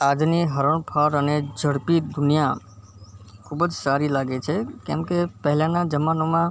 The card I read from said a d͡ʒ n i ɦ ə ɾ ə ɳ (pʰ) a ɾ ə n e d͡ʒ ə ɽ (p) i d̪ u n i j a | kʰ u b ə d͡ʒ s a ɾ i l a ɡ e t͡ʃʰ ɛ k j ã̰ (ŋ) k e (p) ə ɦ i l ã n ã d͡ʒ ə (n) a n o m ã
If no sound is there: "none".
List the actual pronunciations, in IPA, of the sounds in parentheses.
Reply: pʰ, p, m, p, m

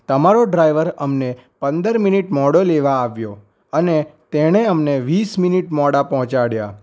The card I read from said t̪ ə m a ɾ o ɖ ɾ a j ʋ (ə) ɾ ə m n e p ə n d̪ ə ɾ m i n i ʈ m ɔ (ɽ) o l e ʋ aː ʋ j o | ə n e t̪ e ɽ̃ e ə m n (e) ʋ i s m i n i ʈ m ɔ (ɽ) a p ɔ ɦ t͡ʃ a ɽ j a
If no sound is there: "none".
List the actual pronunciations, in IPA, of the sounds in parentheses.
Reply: ə, ɽ, e, ɽ

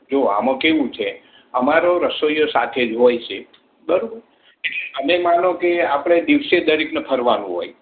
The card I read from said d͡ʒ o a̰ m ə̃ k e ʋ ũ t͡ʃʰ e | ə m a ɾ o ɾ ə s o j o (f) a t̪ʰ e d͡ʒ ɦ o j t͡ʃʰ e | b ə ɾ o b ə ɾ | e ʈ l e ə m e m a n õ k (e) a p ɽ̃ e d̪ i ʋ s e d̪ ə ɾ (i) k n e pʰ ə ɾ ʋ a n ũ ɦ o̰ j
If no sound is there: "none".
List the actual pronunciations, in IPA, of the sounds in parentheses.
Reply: s, e, i

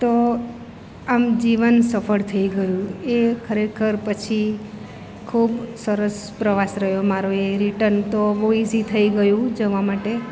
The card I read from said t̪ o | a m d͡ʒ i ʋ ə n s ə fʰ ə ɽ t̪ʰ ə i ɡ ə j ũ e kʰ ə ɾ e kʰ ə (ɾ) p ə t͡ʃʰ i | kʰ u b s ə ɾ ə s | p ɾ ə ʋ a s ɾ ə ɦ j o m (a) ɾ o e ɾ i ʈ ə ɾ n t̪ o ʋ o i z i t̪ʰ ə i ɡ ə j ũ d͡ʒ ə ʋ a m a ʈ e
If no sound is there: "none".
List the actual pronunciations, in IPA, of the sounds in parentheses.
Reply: ɾ, a

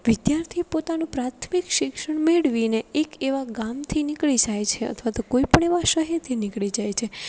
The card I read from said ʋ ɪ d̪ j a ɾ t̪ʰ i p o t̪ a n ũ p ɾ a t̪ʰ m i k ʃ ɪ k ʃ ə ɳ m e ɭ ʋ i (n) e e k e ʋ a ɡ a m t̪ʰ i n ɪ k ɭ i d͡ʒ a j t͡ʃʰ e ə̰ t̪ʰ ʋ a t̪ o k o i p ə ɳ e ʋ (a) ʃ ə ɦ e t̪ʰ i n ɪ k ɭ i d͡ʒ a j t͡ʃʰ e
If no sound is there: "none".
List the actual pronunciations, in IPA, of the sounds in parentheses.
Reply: n, a

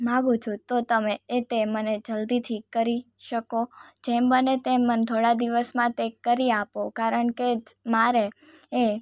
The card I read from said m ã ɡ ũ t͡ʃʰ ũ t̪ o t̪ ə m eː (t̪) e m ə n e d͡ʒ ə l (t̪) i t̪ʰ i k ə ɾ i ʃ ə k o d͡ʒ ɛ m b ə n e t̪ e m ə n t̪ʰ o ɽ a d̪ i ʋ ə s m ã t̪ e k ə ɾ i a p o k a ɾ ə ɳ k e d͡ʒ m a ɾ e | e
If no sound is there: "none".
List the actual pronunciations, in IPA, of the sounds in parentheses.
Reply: t̪, d̪

